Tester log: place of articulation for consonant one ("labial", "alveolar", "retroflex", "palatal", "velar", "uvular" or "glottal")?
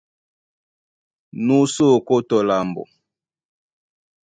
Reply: alveolar